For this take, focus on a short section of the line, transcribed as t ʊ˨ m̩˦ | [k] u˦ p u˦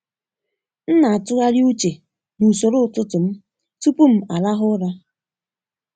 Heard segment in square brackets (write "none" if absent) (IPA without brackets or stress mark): t